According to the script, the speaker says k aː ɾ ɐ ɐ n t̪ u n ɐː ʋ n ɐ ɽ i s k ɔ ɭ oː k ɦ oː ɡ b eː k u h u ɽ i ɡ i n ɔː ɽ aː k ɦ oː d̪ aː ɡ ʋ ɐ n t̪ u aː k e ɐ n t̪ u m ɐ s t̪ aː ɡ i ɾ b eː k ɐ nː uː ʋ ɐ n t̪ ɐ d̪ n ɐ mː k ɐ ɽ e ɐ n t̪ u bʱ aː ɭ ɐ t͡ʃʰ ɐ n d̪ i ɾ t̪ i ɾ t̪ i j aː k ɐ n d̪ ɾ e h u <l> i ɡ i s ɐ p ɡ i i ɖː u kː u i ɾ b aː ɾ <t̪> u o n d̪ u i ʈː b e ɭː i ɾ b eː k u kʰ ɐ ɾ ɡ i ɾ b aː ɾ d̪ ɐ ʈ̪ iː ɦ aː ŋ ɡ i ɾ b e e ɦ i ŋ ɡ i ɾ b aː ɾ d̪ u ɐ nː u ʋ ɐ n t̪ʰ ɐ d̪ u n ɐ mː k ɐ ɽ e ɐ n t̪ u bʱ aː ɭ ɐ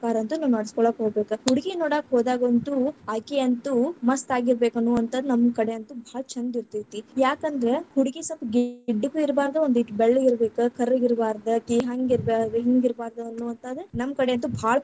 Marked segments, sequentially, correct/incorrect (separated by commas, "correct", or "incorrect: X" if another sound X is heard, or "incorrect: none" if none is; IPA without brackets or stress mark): incorrect: ɽ, incorrect: d̪